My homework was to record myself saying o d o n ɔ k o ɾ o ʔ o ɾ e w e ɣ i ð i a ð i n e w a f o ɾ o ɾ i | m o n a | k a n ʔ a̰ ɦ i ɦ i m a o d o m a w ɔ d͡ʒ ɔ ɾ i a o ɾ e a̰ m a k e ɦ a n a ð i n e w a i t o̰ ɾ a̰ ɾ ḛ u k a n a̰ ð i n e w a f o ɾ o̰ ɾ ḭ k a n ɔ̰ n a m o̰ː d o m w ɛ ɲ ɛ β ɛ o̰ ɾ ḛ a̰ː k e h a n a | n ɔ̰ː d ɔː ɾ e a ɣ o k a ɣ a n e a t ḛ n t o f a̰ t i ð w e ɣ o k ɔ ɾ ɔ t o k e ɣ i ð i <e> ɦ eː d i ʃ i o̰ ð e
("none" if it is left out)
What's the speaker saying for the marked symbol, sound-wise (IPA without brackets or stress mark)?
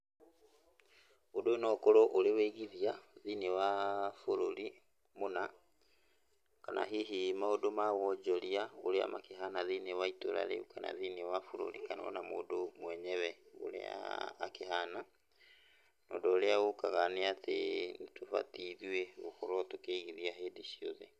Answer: a